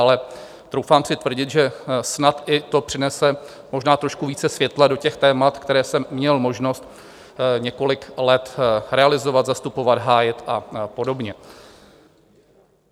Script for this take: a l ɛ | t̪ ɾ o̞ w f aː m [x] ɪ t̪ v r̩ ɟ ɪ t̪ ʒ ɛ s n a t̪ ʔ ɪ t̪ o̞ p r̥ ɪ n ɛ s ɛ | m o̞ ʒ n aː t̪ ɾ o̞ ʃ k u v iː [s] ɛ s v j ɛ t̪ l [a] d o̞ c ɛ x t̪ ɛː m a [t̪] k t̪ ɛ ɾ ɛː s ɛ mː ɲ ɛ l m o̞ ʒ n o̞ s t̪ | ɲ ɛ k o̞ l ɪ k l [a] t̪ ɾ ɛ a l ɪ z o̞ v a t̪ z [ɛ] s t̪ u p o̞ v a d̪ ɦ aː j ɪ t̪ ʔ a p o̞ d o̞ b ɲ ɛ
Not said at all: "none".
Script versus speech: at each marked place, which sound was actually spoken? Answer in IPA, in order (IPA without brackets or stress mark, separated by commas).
s, t͡s, a, t̪, ɛ, a